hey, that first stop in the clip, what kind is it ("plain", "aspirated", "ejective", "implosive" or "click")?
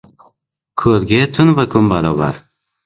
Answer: aspirated